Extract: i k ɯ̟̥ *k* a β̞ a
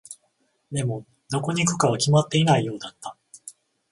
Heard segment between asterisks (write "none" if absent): k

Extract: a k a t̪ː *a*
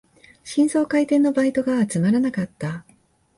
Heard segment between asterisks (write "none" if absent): a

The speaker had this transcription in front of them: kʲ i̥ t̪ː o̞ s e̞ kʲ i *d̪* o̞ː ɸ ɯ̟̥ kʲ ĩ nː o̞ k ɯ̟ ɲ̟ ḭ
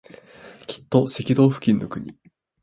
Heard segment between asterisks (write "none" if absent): d̪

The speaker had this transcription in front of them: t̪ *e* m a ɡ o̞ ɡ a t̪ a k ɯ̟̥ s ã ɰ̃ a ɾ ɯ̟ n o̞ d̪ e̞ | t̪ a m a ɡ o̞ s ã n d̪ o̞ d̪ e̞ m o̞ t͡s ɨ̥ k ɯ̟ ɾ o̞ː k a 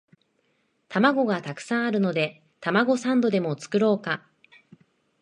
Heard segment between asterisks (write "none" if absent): a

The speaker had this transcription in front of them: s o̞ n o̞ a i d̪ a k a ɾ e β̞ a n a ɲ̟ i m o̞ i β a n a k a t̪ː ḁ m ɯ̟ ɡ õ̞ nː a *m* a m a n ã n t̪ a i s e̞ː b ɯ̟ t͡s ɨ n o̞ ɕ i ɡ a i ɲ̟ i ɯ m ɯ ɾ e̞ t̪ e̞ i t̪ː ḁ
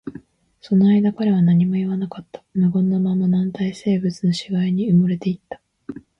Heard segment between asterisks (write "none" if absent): m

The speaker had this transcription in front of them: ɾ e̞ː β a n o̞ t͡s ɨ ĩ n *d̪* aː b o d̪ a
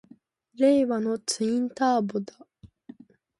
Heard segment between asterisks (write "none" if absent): t̪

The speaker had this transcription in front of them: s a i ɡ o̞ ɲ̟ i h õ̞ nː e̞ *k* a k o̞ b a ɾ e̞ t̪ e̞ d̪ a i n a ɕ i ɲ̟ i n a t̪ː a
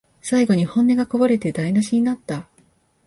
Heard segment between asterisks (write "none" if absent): ɡ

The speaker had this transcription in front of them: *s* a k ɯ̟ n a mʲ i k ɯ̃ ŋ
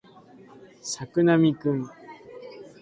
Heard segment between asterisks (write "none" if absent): s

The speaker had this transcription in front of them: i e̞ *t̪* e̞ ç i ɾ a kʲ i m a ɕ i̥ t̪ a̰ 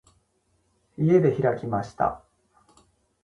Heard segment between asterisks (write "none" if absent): d̪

